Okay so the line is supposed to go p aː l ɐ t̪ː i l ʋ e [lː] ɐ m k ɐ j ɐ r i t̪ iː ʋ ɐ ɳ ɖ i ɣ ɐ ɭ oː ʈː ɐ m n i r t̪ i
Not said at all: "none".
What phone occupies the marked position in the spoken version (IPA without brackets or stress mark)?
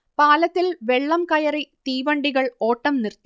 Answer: ɭː